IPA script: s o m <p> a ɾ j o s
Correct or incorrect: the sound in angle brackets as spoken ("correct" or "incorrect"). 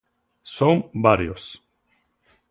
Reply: incorrect